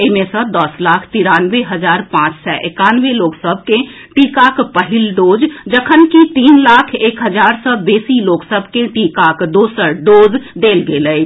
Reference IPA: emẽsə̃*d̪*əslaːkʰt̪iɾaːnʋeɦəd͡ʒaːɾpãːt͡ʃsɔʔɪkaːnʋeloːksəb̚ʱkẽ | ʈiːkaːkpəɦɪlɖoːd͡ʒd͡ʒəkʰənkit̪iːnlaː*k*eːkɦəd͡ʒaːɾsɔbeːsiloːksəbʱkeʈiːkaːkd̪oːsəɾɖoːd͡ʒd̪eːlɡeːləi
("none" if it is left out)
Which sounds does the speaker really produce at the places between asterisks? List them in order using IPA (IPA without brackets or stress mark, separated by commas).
d̪, kʰ